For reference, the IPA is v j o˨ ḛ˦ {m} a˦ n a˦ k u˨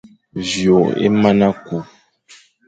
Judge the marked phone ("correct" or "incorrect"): correct